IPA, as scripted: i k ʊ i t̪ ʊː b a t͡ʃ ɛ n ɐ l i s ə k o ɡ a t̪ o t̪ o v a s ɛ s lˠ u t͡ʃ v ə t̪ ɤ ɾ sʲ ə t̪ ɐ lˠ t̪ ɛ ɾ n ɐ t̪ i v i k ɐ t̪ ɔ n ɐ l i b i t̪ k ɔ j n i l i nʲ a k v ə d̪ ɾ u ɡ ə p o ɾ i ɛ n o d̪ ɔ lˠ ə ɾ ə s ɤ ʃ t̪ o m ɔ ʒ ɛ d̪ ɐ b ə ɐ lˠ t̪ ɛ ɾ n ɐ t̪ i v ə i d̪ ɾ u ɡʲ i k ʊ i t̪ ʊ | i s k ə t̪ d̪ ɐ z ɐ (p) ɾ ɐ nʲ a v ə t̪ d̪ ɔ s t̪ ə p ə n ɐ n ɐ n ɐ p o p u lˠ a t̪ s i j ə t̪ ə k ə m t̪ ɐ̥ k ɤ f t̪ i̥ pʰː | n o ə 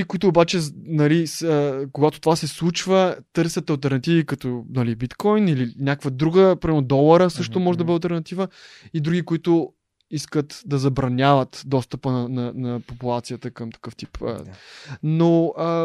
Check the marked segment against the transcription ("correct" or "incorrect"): incorrect